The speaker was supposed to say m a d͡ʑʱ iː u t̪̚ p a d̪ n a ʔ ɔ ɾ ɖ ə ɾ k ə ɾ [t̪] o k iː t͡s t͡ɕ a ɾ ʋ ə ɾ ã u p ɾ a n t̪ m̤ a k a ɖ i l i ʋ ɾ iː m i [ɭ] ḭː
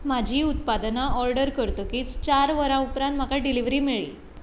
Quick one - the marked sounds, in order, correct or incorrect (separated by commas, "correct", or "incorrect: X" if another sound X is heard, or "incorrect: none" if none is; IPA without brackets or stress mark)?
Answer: correct, correct